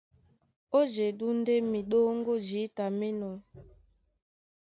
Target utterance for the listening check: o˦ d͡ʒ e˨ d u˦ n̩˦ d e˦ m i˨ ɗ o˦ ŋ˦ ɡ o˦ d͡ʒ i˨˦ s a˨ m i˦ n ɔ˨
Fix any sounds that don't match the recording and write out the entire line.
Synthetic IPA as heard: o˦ d͡ʒ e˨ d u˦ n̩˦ d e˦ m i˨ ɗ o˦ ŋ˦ ɡ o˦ d͡ʒ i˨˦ t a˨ m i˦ n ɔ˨